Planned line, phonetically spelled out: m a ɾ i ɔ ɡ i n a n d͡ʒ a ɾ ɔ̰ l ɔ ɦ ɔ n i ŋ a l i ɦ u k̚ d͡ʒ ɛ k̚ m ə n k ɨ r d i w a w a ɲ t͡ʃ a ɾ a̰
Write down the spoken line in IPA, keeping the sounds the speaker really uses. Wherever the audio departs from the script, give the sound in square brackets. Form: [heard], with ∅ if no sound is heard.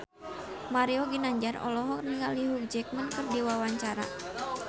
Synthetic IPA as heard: m a ɾ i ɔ ɡ i n a [ɲ] d͡ʒ a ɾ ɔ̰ l ɔ ɦ ɔ n i ŋ a l i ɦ u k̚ d͡ʒ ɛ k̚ m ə n k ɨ r d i w a w a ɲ t͡ʃ a ɾ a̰